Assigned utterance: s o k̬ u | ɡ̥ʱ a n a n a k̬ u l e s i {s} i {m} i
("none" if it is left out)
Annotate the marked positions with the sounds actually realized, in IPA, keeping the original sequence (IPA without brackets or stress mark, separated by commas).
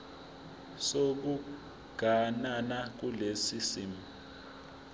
s, m